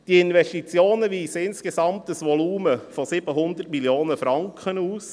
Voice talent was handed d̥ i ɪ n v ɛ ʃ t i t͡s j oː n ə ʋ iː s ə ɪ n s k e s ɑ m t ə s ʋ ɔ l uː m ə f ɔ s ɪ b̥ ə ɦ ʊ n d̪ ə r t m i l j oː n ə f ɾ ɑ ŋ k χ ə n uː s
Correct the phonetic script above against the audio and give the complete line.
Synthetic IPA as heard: d̥ i ɪ n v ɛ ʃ t i t͡s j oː n ə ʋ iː s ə ɪ n s k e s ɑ m t ə s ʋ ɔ l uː m ə f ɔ s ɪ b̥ ə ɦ ʊ n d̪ ə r t m i l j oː n ə f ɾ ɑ ŋ k χ ə n uː s